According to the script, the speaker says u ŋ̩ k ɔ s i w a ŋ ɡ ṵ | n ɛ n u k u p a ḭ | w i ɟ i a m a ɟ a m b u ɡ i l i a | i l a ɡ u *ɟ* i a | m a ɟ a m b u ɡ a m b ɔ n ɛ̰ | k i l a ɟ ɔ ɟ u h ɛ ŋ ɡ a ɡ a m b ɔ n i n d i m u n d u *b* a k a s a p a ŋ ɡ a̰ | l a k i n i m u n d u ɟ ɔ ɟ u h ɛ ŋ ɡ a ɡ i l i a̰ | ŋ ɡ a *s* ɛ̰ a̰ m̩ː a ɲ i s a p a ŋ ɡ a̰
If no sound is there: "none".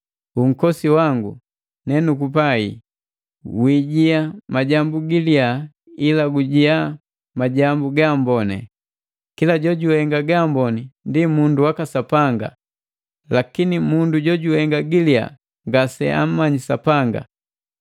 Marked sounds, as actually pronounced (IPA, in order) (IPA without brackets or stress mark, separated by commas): ɟ, w, s